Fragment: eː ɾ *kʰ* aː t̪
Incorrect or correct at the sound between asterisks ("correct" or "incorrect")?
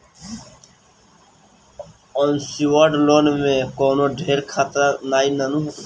correct